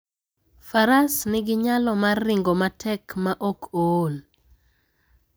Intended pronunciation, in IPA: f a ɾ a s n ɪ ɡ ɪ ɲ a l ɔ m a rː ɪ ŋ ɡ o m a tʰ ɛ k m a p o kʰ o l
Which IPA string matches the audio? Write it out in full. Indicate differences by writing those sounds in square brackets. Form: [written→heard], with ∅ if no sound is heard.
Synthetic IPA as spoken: f a ɾ a s n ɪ ɡ ɪ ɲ a l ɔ m a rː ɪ ŋ ɡ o m a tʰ ɛ k m a [p→ʔ] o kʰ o l